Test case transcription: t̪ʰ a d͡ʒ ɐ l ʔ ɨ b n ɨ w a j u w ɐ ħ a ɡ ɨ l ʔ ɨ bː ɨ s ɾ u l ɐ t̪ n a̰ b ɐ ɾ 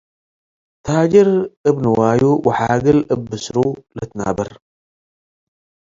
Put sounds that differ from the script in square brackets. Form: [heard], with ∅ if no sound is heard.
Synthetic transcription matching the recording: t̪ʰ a d͡ʒ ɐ [ɾ] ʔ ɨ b n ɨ w a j u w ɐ ħ a ɡ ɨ l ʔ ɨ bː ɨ s ɾ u l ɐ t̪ n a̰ b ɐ ɾ